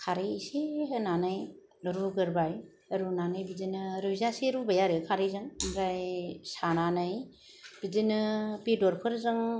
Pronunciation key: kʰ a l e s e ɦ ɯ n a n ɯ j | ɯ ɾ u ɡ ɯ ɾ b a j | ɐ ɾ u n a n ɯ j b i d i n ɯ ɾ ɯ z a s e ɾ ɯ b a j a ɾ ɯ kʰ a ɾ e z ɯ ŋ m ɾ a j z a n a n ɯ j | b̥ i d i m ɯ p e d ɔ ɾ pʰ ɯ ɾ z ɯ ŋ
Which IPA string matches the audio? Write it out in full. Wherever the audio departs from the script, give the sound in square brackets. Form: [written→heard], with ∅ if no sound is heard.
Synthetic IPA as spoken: kʰ a [l→ɾ] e s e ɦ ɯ n a n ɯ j | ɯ ɾ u ɡ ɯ ɾ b a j | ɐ ɾ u n a n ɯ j b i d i n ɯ ɾ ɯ z a s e ɾ [ɯ→u] b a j a ɾ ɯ kʰ a ɾ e z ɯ ŋ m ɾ a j [z→s] a n a n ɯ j | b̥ i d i [m→n] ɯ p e d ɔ ɾ pʰ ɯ ɾ z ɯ ŋ